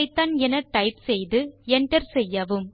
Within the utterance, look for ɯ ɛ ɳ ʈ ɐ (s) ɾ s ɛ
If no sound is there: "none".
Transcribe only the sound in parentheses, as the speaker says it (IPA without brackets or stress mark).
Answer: none